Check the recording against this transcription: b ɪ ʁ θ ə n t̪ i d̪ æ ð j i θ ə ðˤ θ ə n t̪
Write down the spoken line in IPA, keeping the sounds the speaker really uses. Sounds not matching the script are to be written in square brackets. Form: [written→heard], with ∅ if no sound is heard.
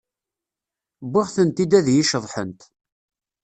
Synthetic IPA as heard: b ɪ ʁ θ ə n t̪ i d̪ æ ð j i [θ→ʃ] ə ðˤ [θ→ħ] ə n t̪